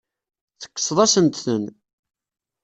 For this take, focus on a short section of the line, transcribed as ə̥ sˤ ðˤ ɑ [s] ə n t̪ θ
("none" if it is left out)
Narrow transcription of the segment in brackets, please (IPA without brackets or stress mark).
s